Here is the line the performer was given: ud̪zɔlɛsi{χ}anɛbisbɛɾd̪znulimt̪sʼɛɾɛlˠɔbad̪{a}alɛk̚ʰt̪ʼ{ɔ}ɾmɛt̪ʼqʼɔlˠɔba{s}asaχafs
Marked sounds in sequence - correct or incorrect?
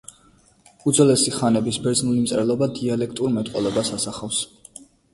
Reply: correct, incorrect: i, incorrect: u, correct

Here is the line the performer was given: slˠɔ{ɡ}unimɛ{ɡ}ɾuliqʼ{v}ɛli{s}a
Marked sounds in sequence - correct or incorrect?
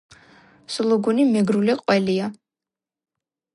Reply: correct, correct, incorrect: w, incorrect: none

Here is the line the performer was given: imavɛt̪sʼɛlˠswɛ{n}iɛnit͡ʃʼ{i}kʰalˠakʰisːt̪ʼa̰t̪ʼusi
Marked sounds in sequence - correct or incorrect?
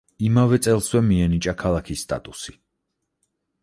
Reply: incorrect: m, incorrect: a

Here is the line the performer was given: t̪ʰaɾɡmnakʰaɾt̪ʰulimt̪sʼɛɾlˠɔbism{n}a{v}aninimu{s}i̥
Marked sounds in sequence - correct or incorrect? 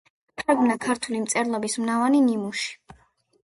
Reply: correct, correct, incorrect: ʃ

